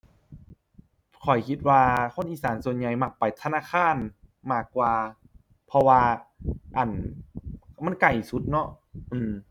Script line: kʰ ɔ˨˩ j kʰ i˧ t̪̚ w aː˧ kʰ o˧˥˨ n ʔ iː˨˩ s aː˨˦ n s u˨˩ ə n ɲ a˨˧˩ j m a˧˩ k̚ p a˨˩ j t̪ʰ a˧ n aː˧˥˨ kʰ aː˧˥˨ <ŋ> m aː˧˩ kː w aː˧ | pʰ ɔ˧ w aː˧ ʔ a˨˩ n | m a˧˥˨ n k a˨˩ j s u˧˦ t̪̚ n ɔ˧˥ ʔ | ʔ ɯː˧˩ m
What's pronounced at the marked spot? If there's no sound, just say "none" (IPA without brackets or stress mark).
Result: n